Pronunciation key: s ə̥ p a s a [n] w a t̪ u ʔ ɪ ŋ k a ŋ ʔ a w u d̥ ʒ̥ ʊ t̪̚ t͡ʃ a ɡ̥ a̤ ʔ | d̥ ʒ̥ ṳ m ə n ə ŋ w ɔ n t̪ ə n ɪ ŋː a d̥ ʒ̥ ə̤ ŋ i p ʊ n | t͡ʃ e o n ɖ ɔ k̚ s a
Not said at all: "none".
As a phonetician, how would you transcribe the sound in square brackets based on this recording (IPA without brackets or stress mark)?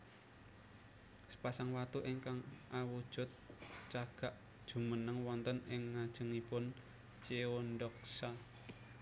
ŋ